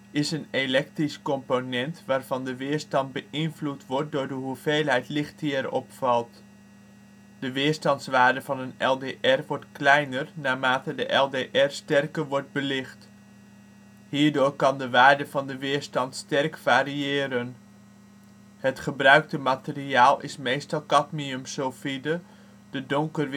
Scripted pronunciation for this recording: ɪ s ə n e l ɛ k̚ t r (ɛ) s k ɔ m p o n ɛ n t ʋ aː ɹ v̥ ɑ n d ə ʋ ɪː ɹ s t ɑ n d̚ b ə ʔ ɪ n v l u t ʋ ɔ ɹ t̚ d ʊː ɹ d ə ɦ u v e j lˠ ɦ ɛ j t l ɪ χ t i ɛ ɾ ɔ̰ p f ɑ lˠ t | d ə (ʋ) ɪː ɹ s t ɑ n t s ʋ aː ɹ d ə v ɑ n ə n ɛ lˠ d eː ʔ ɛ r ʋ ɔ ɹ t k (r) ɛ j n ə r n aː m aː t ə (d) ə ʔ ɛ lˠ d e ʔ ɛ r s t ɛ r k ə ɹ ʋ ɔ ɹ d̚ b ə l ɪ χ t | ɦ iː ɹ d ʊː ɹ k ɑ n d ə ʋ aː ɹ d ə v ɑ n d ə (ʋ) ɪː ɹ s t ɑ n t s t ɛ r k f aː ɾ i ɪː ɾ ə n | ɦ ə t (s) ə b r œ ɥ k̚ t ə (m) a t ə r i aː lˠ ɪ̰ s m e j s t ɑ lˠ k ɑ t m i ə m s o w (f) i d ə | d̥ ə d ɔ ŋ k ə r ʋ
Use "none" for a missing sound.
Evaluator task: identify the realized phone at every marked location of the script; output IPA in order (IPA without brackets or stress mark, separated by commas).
i, ʋ, l, d, ʋ, χ, m, f